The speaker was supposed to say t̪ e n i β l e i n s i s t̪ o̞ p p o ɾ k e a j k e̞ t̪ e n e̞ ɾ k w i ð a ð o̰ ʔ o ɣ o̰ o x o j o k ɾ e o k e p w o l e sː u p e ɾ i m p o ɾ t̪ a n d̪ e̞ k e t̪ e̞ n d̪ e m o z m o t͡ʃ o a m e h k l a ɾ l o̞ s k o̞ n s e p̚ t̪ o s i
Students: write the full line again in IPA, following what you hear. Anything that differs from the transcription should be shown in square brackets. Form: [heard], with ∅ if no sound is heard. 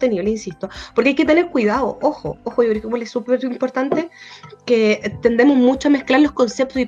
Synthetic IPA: t̪ e n i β l e i n s i s t̪ o̞ p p o ɾ k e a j k e̞ t̪ e n e̞ ɾ k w i ð a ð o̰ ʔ o [x] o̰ o x o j o k ɾ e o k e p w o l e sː u p e ɾ i m p o ɾ t̪ a n [t̪] e̞ k e t̪ e̞ n d̪ e m o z m [u] t͡ʃ o a m e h k l a ɾ l o̞ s k o̞ n s e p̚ t̪ o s i